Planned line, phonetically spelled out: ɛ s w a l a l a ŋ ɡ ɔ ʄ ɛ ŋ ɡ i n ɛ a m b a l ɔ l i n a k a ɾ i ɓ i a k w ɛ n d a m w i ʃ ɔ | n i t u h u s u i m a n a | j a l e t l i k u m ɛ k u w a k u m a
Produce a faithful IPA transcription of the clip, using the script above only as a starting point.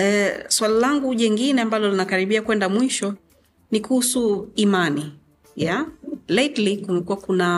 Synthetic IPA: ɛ s w a l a l a ŋ ɡ u ʄ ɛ ŋ ɡ i n ɛ a m b a l ɔ l i n a k a ɾ i ɓ i a k w ɛ n d a m w i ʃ ɔ | n i k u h u s u i m a n i | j a l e t l i k u m ɛ k u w a k u n a